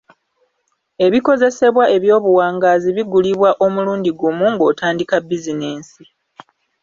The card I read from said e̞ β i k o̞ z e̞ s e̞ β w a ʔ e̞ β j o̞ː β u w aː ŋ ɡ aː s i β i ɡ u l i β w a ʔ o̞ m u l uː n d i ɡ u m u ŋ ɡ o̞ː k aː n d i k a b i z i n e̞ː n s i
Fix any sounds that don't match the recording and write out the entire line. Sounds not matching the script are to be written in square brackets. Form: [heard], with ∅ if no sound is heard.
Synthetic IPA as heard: e̞ β i k o̞ z e̞ s e̞ β w a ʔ e̞ β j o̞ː β u w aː ŋ ɡ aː [z] i β i ɡ u l i β w a ʔ o̞ m u l uː n d i ɡ u m u ŋ ɡ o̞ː [t] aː n d i k a b i z i n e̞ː n s i